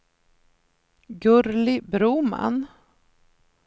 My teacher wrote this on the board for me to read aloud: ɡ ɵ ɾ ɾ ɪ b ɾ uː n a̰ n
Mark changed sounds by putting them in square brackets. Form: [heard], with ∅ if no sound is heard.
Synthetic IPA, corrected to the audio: ɡ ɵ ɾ [l] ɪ b ɾ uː [m] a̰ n